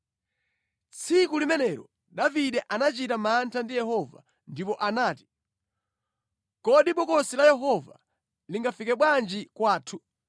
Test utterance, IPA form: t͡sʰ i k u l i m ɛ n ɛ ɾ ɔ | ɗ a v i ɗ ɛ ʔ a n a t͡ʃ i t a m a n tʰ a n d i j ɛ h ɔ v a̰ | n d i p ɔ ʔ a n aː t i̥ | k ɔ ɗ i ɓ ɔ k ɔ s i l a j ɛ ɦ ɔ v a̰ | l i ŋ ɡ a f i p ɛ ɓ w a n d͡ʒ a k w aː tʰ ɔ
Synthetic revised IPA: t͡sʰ i k u l i m ɛ n ɛ ɾ ɔ | ɗ a v i ɗ ɛ ʔ a n a t͡ʃ i t a m a n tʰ a n d i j ɛ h ɔ v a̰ | n d i p ɔ ʔ a n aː t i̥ | k ɔ ɗ i ɓ ɔ k ɔ s i l a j ɛ ɦ ɔ v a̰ | l i ŋ ɡ a f i k ɛ ɓ w a n d͡ʒ i k w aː tʰ u